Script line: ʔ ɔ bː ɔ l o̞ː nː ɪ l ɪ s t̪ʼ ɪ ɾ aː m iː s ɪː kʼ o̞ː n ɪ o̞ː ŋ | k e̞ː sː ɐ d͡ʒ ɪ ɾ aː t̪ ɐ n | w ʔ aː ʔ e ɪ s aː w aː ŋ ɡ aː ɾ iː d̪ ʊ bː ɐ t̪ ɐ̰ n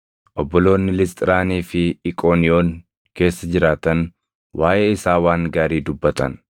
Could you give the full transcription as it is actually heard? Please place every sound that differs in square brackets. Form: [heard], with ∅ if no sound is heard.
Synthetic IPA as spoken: ʔ ɔ bː ɔ l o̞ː nː ɪ l ɪ s t̪ʼ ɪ ɾ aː [n] iː [f] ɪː kʼ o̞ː n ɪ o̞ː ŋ | k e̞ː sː ɐ d͡ʒ ɪ ɾ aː t̪ ɐ n | w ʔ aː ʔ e ɪ s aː w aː ŋ ɡ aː ɾ iː d̪ ʊ bː ɐ t̪ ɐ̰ n